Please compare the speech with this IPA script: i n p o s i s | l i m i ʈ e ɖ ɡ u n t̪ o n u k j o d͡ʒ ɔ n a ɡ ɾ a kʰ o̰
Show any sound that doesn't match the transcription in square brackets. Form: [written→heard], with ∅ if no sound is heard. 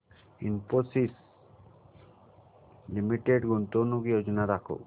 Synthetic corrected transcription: i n p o s i s | l i m i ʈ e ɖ ɡ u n t̪ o n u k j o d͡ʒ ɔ n a [ɡ→∅] ɾ a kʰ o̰